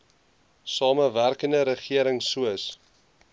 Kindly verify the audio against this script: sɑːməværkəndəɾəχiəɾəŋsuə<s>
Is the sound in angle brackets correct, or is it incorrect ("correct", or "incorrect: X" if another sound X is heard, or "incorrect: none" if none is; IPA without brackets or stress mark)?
correct